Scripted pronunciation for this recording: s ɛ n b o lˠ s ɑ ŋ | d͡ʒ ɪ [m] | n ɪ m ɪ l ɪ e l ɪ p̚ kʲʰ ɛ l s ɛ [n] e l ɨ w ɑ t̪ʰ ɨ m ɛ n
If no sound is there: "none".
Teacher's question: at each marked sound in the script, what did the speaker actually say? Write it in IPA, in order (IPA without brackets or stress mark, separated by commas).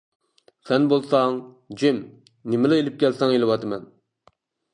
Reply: m, ŋ